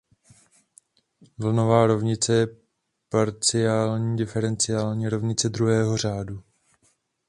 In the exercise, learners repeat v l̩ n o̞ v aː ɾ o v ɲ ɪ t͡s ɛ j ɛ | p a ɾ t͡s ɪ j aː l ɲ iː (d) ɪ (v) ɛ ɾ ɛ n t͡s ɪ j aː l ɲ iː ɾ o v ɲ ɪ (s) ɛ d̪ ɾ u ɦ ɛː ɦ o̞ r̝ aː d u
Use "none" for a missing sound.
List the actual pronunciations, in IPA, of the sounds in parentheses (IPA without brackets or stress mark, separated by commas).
d, f, t͡s